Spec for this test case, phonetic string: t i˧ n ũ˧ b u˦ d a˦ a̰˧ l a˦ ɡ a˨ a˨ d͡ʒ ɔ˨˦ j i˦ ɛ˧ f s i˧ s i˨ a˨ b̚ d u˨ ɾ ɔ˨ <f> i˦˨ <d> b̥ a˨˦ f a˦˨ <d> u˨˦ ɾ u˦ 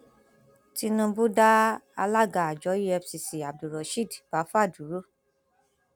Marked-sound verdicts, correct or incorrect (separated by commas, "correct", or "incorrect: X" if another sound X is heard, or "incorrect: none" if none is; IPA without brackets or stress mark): incorrect: ʃ, correct, correct